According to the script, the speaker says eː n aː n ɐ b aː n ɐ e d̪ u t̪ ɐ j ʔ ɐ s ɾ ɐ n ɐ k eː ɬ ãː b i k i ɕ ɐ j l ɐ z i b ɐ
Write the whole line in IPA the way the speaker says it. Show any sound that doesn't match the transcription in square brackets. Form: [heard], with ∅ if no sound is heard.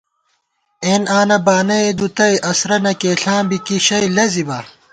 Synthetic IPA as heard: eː n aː n ɐ b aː n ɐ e d̪ u t̪ ɐ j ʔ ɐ s ɾ ɐ n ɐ k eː ɬ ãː b i k i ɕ ɐ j l ɐ z i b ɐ